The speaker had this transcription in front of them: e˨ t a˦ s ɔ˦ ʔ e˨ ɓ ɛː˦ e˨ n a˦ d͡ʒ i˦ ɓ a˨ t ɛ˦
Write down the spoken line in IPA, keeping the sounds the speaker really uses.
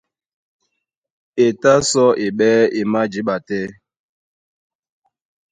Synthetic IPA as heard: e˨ t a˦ s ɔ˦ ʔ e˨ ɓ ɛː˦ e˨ m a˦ d͡ʒ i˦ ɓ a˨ t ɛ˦